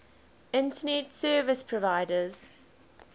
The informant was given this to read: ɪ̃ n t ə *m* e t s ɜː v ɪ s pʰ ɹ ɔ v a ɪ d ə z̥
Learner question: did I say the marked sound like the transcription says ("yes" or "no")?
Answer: no